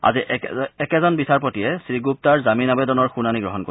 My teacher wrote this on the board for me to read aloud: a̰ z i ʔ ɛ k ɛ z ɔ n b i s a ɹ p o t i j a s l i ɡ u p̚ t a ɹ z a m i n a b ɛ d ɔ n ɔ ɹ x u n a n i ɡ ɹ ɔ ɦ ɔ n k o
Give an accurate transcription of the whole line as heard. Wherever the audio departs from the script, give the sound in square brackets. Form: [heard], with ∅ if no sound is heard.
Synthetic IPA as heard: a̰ z i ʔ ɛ k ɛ z ɔ n b i s a ɹ p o t i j [ɛ] s [ɹ] i ɡ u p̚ t a ɹ z a m i n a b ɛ d ɔ n ɔ ɹ x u n a n i ɡ ɹ ɔ ɦ ɔ n k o

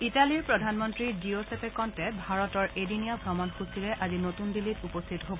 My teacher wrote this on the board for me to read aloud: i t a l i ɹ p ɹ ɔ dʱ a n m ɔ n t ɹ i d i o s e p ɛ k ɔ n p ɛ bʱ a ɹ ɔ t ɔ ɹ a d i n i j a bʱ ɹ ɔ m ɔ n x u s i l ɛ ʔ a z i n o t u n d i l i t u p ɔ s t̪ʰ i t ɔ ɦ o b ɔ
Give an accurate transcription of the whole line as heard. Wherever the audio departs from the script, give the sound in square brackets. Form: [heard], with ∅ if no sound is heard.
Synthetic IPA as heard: i t a l i ɹ p ɹ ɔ dʱ a n m ɔ n t ɹ i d i o s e p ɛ k ɔ n [t] ɛ bʱ a ɹ ɔ t ɔ ɹ [e] d i n i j a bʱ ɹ ɔ m ɔ n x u s i [ɹ] ɛ ʔ a z i n o t u n d i l i t u p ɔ s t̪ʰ i t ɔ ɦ o b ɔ

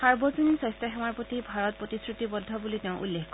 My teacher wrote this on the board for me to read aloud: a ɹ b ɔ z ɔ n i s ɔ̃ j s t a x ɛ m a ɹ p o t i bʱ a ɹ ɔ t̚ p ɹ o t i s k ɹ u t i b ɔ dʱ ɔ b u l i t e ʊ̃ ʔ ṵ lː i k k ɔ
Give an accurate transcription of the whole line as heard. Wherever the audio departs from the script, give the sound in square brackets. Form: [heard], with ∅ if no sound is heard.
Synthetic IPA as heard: a ɹ b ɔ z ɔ n i s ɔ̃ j s t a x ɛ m a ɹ p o t i bʱ a ɹ ɔ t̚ p ɹ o t i s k ɹ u t i b ɔ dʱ ɔ b u l i t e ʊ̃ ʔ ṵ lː [e] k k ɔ

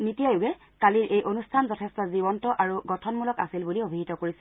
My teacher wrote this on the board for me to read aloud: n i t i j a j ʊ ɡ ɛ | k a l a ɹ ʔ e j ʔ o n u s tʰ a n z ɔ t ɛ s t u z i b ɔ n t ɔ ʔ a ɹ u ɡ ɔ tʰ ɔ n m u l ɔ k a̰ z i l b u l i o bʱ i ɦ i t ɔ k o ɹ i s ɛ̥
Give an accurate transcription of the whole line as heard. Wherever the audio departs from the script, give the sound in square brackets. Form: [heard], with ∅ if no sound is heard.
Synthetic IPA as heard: n i t i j a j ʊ ɡ ɛ | k a l [i] ɹ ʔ e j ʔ o n u s tʰ a n z ɔ [tʰ] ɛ s t [ɔ] z i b ɔ n t ɔ ʔ a ɹ u ɡ ɔ tʰ ɔ n m u l ɔ k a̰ [s] i l b u l i o bʱ i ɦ i t ɔ k o ɹ i s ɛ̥

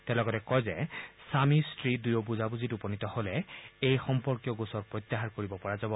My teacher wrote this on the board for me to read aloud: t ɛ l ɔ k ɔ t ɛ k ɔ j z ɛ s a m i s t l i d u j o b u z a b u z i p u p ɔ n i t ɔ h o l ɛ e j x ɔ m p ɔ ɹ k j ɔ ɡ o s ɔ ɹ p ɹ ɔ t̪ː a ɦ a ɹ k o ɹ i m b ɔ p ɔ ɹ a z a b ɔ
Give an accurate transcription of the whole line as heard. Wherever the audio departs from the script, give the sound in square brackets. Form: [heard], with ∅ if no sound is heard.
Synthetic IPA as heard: t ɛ l ɔ [ɡ] ɔ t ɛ k ɔ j z ɛ s a m i s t [ɹ] i d u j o b u z a b u z i [t] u p ɔ n i t ɔ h o l ɛ e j x ɔ m p ɔ ɹ k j ɔ ɡ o s ɔ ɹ p ɹ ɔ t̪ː a ɦ a ɹ k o ɹ i [∅] b ɔ p ɔ ɹ a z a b ɔ

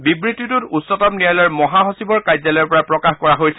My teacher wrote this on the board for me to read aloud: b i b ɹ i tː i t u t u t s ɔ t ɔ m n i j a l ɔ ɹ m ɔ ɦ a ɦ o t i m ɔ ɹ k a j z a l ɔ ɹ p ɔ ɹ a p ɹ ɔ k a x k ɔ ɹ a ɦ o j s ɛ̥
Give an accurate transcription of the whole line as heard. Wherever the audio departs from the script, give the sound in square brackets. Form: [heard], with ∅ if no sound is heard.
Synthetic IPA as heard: b i b ɹ i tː i t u t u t s ɔ t ɔ m n i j a l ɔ ɹ m ɔ ɦ a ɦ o [s] i [b] ɔ ɹ k a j z a l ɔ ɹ p ɔ ɹ a p ɹ ɔ k a x k ɔ ɹ a ɦ o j s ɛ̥

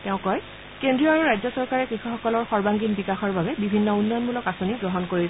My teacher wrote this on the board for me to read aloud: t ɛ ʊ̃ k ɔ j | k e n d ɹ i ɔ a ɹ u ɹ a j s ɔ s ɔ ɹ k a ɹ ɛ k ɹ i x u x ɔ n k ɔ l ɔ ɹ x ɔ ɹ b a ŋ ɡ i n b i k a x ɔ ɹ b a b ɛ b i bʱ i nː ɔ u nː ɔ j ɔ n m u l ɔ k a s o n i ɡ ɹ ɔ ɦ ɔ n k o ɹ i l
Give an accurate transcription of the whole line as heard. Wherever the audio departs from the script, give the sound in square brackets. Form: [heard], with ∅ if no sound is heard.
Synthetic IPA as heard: t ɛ ʊ̃ k ɔ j | k e n d ɹ i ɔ a ɹ u ɹ a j [z] ɔ s ɔ ɹ k a ɹ ɛ k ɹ i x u x ɔ [∅] k ɔ l ɔ ɹ x ɔ ɹ b a ŋ ɡ i n b i k a x ɔ ɹ b a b ɛ b i bʱ i nː ɔ u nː ɔ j ɔ n m u l ɔ k a s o n i ɡ ɹ ɔ ɦ ɔ n k o ɹ i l

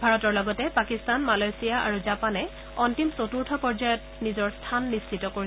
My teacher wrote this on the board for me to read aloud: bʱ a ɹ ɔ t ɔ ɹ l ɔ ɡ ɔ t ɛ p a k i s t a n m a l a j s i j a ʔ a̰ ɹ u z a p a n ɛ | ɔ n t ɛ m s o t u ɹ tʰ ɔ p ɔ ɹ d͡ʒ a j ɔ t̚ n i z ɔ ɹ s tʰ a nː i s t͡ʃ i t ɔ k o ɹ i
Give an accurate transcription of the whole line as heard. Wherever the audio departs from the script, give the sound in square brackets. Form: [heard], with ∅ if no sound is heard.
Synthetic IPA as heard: bʱ a ɹ ɔ t ɔ ɹ l ɔ ɡ ɔ t ɛ p a k i s t a n m a l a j s i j a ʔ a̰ ɹ u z a p a n ɛ | ɔ n t [i] m s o t u ɹ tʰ ɔ p ɔ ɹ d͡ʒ a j ɔ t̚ n i z ɔ ɹ s tʰ a nː i s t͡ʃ i t ɔ k o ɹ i

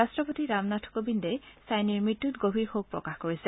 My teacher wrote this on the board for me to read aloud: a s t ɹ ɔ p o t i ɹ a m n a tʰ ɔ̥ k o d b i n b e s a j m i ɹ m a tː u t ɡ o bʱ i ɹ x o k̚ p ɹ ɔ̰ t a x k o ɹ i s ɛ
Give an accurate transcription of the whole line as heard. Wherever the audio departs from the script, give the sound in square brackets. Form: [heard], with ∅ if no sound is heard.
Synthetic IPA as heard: a s t ɹ ɔ p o t i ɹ a m n a tʰ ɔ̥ k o [∅] b i n [d] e s a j [n] i ɹ m [i] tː u t ɡ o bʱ i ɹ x o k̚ p ɹ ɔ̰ [k] a x k o ɹ i s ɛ

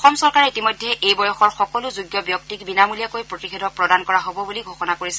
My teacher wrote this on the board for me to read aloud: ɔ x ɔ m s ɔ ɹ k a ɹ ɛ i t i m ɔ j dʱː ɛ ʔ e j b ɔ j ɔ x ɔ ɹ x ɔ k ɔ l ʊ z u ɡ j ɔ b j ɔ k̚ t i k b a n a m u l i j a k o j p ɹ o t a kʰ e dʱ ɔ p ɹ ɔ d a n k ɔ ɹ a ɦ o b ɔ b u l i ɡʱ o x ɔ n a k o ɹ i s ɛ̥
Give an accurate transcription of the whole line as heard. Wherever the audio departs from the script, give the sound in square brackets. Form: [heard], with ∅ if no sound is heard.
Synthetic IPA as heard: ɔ x ɔ m s ɔ ɹ k a ɹ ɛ i t i m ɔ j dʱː ɛ ʔ e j b ɔ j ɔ x ɔ ɹ x ɔ k ɔ l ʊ z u ɡ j ɔ b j ɔ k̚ t i k b [i] n a m u l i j a k o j p ɹ o t [i] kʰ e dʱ ɔ p ɹ ɔ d a n k ɔ ɹ a ɦ o b ɔ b u l i ɡʱ o x ɔ n a k o ɹ i s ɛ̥

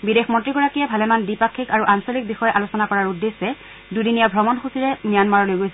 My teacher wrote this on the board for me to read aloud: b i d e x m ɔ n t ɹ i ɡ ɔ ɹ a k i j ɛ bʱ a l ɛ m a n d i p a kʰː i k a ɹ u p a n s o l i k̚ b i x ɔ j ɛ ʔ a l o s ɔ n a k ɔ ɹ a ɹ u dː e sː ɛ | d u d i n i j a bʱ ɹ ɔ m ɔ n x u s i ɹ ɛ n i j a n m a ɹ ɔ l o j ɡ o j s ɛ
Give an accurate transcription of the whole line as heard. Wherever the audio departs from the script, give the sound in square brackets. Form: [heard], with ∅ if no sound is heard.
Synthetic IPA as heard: b i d e x m ɔ n t ɹ i ɡ ɔ ɹ a k i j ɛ bʱ a l ɛ m a n d i p a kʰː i k a ɹ u [ʔ] a n s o l i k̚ b i x ɔ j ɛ ʔ a l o s ɔ n a k ɔ ɹ a ɹ u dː e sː ɛ | d u d i n i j a bʱ ɹ ɔ m ɔ n x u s i ɹ ɛ n i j a n m a ɹ ɔ l o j ɡ o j s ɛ

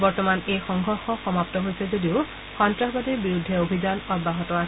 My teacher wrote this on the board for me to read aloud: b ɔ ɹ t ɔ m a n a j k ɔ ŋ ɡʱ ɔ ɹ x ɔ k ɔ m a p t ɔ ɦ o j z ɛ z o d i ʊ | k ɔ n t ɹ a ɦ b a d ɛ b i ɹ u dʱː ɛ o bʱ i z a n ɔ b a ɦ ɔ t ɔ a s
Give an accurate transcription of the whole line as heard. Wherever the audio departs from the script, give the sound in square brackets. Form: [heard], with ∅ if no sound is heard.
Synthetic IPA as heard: b ɔ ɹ t ɔ m a n [e] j [x] ɔ ŋ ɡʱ ɔ ɹ x ɔ [x] ɔ m a p t ɔ ɦ o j [s] ɛ z o d i ʊ | [x] ɔ n t ɹ a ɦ b a d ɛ b i ɹ u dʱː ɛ o bʱ i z a n ɔ b a ɦ ɔ t ɔ a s

